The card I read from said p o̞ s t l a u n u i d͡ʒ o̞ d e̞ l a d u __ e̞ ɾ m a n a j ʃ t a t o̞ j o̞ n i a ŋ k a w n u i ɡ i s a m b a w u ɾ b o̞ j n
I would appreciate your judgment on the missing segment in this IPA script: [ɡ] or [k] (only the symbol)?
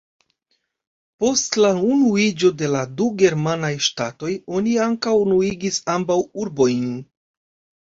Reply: ɡ